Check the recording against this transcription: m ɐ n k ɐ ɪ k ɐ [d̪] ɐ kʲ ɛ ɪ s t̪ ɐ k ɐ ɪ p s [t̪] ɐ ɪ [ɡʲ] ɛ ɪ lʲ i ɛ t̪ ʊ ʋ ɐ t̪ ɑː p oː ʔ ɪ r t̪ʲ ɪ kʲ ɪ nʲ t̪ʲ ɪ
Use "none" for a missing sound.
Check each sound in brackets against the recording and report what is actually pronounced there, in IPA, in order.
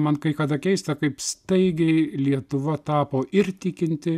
d̪, t̪, ɡʲ

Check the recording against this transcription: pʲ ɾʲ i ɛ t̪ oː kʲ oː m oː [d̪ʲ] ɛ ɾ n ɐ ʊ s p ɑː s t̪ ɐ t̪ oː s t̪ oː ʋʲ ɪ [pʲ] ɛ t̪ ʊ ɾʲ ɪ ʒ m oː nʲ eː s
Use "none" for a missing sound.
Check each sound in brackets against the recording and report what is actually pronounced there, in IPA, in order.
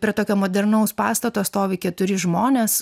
d̪ʲ, kʲ

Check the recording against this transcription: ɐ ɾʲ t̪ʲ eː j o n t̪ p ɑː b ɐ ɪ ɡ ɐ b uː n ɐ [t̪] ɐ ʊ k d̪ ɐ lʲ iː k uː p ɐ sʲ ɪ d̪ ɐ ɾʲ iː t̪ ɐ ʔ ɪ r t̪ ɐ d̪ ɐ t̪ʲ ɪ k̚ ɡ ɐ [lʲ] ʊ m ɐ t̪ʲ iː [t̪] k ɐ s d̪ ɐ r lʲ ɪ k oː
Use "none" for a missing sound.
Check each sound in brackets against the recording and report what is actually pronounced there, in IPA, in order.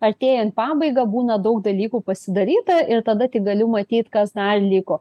d̪, lʲ, t̪

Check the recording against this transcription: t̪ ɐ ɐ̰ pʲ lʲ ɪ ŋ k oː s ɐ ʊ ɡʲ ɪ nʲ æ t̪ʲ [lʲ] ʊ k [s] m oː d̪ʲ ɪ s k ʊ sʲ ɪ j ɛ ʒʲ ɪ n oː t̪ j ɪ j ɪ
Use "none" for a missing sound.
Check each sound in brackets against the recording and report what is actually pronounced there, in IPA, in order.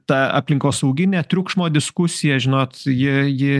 ɾʲ, ʃ

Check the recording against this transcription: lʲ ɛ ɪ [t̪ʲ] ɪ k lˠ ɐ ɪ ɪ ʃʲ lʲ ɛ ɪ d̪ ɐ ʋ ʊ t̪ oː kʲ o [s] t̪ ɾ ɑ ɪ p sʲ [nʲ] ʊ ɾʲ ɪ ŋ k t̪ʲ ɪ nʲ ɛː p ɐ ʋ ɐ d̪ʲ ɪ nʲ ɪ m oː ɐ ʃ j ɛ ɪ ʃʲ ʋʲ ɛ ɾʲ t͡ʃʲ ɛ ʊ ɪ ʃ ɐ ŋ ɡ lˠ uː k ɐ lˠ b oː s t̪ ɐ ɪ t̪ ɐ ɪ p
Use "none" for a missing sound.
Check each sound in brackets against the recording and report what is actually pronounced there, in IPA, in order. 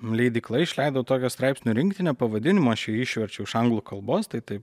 d̪ʲ, s, nʲ

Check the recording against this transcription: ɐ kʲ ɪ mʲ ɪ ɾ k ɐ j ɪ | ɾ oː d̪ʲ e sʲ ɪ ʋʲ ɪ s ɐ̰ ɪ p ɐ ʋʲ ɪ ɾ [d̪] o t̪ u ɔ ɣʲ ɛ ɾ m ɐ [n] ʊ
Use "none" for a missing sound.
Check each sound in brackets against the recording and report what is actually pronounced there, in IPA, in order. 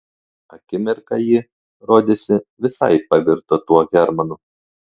t̪, n

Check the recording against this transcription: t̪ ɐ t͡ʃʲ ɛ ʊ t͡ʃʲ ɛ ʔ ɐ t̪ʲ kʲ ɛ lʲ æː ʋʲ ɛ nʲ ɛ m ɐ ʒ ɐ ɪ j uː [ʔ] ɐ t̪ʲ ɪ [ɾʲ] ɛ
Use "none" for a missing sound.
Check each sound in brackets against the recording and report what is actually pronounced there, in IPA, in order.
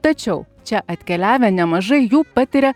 p, ɾʲ

